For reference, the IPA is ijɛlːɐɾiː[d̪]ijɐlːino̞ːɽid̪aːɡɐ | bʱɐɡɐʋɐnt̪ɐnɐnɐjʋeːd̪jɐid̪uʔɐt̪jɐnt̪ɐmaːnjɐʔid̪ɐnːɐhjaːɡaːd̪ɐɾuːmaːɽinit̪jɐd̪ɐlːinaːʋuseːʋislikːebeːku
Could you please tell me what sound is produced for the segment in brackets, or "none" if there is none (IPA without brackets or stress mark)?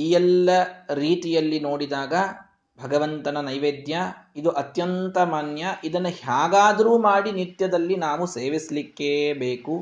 t̪